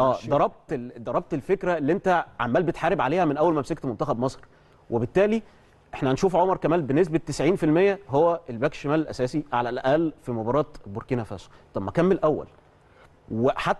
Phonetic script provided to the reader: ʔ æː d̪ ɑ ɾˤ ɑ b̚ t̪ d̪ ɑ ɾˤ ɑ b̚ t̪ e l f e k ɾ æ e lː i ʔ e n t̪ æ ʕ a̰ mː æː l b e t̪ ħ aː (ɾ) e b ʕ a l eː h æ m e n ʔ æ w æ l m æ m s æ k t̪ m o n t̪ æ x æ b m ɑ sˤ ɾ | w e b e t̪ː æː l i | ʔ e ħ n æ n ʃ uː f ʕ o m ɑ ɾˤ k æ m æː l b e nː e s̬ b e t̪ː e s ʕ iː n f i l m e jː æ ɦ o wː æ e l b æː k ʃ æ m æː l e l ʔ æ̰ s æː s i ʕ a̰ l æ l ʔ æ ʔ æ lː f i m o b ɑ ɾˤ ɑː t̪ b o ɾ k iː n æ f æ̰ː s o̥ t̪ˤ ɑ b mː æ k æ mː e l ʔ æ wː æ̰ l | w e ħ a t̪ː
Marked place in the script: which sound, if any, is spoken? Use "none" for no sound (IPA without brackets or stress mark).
ɾ